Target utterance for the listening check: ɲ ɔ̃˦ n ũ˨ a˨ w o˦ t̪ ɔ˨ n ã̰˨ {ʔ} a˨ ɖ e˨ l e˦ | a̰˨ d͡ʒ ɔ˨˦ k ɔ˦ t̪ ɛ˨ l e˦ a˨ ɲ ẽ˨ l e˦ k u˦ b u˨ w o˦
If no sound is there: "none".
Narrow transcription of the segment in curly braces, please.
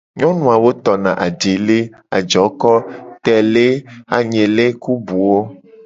ʔ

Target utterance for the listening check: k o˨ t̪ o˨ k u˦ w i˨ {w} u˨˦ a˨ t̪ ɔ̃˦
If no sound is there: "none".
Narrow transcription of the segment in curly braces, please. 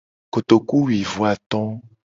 v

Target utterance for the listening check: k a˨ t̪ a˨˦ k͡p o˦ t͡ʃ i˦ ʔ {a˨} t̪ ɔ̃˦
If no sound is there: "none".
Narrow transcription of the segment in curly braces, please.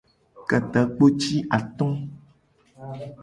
a˨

